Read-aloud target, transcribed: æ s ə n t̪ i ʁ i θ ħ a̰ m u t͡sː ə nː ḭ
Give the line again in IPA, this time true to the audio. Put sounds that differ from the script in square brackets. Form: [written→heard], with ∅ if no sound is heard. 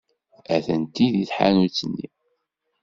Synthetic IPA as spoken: æ [s→θ] ə n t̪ i [ʁ→ð] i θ ħ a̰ [m→n] u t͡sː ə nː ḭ